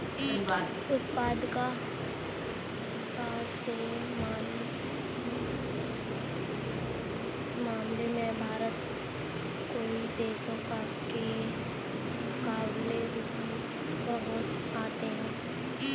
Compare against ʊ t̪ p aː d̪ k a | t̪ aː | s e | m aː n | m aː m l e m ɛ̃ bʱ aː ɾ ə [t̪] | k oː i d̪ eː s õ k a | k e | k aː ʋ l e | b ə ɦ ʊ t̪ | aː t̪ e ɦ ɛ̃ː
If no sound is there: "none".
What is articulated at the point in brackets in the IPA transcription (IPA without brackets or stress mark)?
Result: t̪